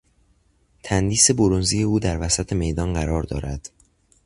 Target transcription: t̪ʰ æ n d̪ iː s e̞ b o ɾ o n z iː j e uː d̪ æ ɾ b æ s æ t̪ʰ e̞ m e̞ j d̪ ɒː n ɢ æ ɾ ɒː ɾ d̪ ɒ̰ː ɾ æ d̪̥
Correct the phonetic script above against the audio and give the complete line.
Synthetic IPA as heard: t̪ʰ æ n d̪ iː s e̞ b o ɾ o n z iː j e uː d̪ æ ɾ v æ s æ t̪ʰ e̞ m e̞ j d̪ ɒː n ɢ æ ɾ ɒː ɾ d̪ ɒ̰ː ɾ æ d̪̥